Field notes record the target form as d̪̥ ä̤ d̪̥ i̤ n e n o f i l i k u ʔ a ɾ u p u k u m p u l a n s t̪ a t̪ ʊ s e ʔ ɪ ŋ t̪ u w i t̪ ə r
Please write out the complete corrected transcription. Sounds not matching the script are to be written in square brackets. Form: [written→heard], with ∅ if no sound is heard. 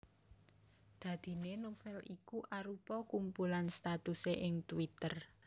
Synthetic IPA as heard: d̪̥ ä̤ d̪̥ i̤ n e n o f [i→ɛ] l i k u ʔ a ɾ u p [u→ɔ] k u m p u l a n s t̪ a t̪ [ʊ→u] s e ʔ ɪ ŋ t̪ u w i t̪ ə r